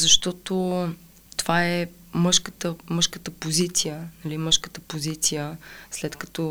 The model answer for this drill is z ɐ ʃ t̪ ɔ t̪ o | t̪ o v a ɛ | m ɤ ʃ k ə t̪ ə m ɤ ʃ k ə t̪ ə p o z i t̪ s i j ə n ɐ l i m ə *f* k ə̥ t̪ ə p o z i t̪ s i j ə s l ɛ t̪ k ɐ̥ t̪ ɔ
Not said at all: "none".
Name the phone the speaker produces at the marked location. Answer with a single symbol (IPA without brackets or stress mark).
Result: ʃ